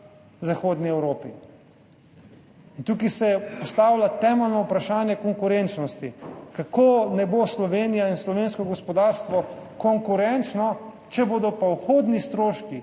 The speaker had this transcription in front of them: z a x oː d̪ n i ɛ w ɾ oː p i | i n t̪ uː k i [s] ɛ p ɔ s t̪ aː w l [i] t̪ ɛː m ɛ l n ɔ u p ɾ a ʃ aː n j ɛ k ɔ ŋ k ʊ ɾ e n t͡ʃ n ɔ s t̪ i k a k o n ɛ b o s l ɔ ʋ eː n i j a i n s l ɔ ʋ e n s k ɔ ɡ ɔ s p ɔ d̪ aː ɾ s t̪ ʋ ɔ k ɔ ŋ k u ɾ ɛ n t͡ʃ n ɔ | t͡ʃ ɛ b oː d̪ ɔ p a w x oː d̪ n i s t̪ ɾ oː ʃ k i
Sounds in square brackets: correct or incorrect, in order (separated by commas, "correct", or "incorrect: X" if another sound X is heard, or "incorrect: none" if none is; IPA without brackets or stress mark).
correct, incorrect: a